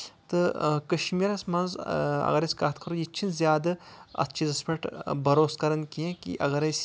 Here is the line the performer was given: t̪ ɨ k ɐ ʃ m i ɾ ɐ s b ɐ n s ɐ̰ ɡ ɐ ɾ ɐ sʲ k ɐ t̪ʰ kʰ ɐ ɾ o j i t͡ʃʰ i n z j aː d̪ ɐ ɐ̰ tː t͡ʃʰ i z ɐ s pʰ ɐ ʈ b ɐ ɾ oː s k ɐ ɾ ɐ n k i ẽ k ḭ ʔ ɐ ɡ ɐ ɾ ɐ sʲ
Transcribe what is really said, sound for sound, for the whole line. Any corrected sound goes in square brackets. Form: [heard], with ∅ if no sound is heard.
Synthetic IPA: t̪ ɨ k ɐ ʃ m i ɾ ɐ s [m] ɐ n [z] ɐ̰ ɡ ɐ ɾ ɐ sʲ k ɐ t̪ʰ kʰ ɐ ɾ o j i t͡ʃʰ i n z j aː d̪ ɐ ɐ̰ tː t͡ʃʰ i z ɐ s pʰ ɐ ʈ b ɐ ɾ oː s k ɐ ɾ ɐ n k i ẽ k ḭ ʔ ɐ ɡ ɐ ɾ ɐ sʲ

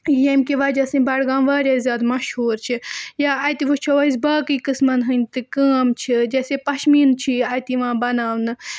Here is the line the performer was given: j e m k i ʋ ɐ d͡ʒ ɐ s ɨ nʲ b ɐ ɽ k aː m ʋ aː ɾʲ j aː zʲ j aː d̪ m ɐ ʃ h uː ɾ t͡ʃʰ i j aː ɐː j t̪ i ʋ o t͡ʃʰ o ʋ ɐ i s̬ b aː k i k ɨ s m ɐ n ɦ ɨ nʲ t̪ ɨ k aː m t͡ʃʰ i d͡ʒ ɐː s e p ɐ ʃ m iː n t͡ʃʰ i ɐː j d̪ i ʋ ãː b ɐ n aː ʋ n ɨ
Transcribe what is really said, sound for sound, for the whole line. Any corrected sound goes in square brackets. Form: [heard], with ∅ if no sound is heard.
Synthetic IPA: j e m k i ʋ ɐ d͡ʒ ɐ s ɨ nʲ b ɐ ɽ [ɡ] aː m ʋ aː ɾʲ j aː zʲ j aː d̪ m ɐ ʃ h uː ɾ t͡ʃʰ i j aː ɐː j t̪ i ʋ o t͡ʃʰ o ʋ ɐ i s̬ b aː k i k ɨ s m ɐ n ɦ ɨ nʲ t̪ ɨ k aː m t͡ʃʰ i d͡ʒ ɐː s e p ɐ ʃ m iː n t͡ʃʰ i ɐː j [t̪] i ʋ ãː b ɐ n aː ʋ n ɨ

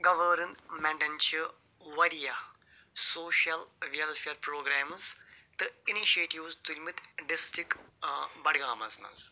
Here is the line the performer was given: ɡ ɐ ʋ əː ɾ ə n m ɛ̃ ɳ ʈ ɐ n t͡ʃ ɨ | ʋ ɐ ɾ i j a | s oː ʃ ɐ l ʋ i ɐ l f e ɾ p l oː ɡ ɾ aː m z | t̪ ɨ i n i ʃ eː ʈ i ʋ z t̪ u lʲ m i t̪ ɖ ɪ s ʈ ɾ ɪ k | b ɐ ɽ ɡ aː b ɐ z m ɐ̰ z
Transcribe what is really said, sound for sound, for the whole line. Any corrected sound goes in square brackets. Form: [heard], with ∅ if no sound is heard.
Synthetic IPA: ɡ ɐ ʋ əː ɾ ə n m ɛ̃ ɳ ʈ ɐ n t͡ʃ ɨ | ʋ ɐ ɾ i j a | s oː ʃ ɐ l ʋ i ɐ l f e ɾ p [ɾ] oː ɡ ɾ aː m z | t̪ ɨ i n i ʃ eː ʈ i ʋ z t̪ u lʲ m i t̪ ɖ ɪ s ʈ ɾ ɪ k | b ɐ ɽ ɡ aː [m] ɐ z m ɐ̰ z

